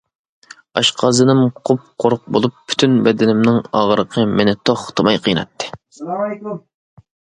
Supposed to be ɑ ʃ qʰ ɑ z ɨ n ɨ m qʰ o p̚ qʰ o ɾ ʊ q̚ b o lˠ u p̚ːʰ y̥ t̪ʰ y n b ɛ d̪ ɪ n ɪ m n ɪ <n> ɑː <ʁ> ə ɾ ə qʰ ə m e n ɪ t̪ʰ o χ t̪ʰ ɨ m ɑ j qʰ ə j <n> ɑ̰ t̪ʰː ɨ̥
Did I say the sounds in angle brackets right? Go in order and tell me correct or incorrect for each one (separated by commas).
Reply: incorrect, correct, correct